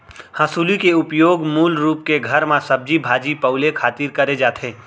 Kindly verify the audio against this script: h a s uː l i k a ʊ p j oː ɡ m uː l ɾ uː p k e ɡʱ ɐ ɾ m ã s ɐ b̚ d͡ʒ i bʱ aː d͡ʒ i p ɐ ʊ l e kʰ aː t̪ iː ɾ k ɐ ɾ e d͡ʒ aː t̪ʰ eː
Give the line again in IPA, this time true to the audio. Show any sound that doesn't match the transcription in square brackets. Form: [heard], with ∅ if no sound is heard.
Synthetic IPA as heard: h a s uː l i k [e] ʊ p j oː ɡ m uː l ɾ uː p k e ɡʱ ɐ ɾ m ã s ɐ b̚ d͡ʒ i bʱ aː d͡ʒ i p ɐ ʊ l e kʰ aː t̪ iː ɾ k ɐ ɾ e d͡ʒ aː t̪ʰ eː